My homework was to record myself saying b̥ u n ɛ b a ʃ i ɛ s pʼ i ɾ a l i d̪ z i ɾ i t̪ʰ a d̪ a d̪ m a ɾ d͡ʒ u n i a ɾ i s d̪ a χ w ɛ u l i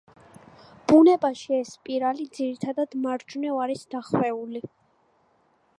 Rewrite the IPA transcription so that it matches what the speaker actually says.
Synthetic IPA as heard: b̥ u n ɛ b a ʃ i ɛ s pʼ i ɾ a l i d̪ z i ɾ i t̪ʰ a d̪ a d̪ m a ɾ d͡ʒ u n ɛ a ɾ i s d̪ a χ w ɛ u l i

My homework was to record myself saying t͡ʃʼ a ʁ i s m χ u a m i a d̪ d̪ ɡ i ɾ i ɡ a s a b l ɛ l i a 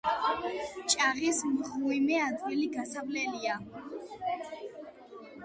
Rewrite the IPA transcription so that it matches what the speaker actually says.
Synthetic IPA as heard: t͡ʃʼ a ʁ i s m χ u i m ɛ a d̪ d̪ ɡ i l i ɡ a s a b l ɛ l i a

